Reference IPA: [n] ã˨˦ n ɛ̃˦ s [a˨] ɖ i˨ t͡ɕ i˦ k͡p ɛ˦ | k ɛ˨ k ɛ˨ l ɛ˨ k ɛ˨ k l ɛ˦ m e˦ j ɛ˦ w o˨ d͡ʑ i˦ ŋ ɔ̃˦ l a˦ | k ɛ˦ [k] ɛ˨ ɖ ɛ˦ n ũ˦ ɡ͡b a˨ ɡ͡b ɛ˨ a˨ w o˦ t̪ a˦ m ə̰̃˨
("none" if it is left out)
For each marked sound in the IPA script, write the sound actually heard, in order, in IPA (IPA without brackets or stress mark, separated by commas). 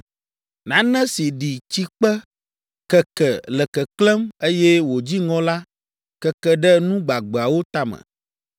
n, i˨, k